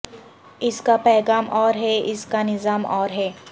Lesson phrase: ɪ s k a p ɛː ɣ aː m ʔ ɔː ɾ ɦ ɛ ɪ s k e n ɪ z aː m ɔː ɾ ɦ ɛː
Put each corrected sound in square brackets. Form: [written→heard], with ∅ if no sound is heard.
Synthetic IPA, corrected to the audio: ɪ s k a p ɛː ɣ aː m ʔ ɔː ɾ ɦ ɛ ɪ s k [e→a] n ɪ z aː m ɔː ɾ ɦ ɛː

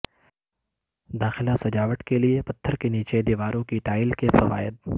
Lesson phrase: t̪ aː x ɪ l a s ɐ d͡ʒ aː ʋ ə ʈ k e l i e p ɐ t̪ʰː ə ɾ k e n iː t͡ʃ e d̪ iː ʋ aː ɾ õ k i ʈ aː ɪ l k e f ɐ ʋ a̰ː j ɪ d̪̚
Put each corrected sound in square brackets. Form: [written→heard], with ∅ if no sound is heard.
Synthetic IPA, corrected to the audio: [t̪→d̪] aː x ɪ l a s ɐ d͡ʒ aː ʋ ə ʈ k e l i e p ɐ t̪ʰː ə ɾ k e n iː t͡ʃ e d̪ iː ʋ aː ɾ õ k i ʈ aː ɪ l k e f ɐ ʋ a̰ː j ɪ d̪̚

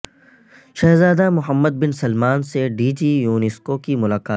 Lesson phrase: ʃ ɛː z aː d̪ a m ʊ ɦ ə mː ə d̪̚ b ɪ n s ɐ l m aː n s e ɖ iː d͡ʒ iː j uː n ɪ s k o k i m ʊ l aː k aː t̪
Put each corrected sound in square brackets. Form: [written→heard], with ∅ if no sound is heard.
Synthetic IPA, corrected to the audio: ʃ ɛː z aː d̪ a m ʊ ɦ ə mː ə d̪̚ b ɪ n s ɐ l m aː n s e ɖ iː d͡ʒ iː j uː n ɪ s k o k i m ʊ l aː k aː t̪

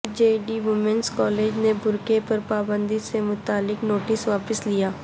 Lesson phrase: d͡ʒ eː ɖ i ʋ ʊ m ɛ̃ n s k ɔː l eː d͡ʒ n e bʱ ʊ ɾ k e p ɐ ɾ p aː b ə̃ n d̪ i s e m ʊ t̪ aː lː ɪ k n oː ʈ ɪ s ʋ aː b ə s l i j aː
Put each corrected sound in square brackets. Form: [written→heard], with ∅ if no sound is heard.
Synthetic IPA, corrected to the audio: d͡ʒ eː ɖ i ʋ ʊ m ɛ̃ n s k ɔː l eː d͡ʒ n e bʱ ʊ ɾ k e p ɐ ɾ p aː b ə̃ n d̪ i s e m ʊ t̪ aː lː ɪ k n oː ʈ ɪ s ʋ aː [b→p] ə s l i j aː

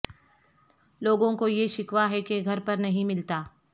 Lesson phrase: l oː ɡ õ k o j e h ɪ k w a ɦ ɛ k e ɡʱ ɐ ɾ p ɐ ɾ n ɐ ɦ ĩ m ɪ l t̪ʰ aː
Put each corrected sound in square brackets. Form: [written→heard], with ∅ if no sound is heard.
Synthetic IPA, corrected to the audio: l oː ɡ õ k o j e [h→ʃ] ɪ k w a ɦ ɛ k e ɡʱ ɐ ɾ p ɐ ɾ n ɐ ɦ ĩ m ɪ l [t̪ʰ→t̪] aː

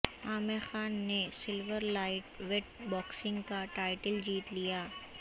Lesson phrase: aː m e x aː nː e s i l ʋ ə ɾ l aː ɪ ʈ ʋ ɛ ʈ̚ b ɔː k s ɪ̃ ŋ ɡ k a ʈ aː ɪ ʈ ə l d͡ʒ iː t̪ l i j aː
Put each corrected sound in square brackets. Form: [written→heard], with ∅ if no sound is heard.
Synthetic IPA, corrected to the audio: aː m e x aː nː e s [i→ɪ] l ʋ ə ɾ l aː ɪ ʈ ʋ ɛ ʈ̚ b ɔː k s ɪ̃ ŋ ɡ k a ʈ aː ɪ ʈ ə l d͡ʒ iː t̪ l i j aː

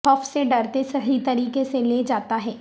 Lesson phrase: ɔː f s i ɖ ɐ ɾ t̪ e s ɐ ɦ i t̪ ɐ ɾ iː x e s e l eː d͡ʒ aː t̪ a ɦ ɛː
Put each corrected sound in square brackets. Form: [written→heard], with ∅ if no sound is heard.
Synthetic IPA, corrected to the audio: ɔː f s [i→e] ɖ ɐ ɾ t̪ e s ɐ ɦ i t̪ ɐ ɾ iː [x→k] e s e l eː d͡ʒ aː t̪ a ɦ ɛː

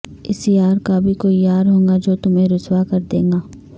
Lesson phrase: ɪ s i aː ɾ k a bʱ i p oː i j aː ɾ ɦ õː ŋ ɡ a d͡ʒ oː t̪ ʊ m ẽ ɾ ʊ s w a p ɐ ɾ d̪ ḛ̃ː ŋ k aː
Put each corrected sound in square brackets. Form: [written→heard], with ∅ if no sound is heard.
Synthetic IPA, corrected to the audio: ɪ s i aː ɾ k a bʱ i [p→k] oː i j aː ɾ ɦ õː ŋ ɡ a d͡ʒ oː t̪ ʊ m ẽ ɾ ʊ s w a [p→k] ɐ ɾ d̪ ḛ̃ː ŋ [k→ɡ] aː

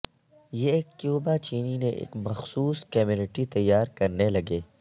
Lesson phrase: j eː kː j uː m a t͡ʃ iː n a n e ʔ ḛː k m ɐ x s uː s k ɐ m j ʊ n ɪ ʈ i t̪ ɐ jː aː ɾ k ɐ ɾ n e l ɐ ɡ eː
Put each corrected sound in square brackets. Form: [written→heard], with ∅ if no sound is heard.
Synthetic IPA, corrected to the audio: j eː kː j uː [m→b] a t͡ʃ iː n [a→i] n e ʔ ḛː k m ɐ x s uː s k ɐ m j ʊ n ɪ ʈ i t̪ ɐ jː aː ɾ k ɐ ɾ n e l ɐ ɡ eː

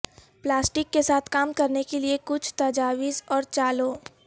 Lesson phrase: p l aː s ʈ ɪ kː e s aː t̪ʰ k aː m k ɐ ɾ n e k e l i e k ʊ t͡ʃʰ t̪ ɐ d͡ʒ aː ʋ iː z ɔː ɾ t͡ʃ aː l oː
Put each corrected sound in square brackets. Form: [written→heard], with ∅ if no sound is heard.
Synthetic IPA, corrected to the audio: p l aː s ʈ ɪ kː e s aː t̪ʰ k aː m k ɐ ɾ n e k e l i e k ʊ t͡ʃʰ t̪ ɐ d͡ʒ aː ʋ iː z ɔː ɾ t͡ʃ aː l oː

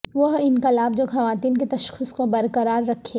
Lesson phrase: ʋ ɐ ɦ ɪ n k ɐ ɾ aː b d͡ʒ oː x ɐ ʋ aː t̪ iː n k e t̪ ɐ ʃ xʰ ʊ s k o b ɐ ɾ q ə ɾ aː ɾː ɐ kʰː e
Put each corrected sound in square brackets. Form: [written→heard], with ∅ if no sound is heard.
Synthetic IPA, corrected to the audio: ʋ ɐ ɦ ɪ n k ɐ [ɾ→l] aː b d͡ʒ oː x ɐ ʋ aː t̪ iː n k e t̪ ɐ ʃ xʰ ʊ s k o b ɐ ɾ [q→k] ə ɾ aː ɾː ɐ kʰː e

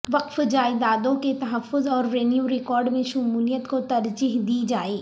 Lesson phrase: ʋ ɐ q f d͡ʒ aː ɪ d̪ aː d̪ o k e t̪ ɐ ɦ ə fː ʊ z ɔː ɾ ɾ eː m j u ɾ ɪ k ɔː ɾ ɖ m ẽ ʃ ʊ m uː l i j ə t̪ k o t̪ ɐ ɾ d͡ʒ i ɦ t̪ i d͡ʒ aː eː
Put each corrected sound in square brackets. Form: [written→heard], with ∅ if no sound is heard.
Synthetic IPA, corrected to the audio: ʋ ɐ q f d͡ʒ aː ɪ d̪ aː d̪ [o→õ] k e t̪ ɐ ɦ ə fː ʊ z ɔː ɾ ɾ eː [m→n] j u ɾ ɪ k ɔː ɾ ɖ m ẽ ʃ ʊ m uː l i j ə t̪ k o t̪ ɐ ɾ d͡ʒ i ɦ [t̪→d̪] i d͡ʒ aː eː

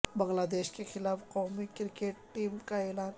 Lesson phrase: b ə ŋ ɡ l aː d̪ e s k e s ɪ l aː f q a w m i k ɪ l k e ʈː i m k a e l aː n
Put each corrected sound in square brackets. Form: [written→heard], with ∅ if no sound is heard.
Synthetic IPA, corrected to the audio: b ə ŋ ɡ l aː d̪ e [s→ʃ] k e [s→x] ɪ l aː f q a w m i k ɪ [l→ɾ] k e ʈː i m k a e l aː n

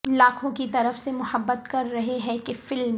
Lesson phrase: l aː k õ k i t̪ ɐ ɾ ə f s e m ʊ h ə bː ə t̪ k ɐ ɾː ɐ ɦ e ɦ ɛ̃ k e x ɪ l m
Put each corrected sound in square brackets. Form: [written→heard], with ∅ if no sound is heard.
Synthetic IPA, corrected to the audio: l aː [k→kʰ] õ k i t̪ ɐ ɾ ə f s e m ʊ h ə bː ə t̪ k ɐ ɾː ɐ ɦ e ɦ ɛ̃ k e [x→f] ɪ l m

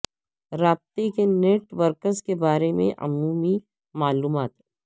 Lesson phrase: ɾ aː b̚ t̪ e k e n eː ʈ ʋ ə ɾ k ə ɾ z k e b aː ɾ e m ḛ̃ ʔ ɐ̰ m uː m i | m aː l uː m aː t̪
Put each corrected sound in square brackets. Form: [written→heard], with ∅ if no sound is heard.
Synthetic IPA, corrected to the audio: ɾ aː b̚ t̪ e k e n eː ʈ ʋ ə ɾ k ə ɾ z k e b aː ɾ e m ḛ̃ ʔ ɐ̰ m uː m i | m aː l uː m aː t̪

